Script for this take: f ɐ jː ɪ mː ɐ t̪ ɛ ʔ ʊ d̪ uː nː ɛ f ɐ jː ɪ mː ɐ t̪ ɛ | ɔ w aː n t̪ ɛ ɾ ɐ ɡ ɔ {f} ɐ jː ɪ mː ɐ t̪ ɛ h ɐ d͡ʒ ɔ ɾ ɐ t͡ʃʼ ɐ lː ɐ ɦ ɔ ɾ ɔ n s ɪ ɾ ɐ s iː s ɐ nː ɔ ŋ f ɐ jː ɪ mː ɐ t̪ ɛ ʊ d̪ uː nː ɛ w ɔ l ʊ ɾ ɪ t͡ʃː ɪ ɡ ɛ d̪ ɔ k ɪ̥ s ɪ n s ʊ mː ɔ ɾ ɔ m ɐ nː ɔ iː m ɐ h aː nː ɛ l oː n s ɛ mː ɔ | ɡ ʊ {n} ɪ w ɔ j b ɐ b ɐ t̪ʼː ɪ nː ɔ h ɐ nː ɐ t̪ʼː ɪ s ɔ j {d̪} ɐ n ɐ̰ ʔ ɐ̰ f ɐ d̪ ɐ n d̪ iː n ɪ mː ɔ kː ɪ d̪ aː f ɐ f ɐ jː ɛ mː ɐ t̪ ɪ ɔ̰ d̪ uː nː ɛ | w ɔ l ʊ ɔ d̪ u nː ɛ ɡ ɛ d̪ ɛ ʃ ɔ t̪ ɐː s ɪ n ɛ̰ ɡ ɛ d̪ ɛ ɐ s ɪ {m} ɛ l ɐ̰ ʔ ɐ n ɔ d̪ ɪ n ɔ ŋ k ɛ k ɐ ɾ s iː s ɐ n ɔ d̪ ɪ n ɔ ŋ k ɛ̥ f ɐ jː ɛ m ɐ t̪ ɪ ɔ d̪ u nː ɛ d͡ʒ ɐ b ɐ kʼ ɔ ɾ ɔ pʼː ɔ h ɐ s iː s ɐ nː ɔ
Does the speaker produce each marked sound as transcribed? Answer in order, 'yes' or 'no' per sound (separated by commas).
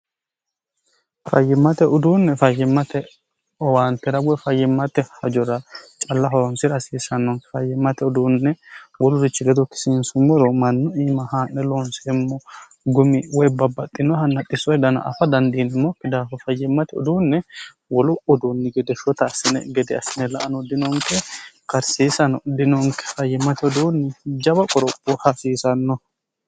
yes, no, yes, no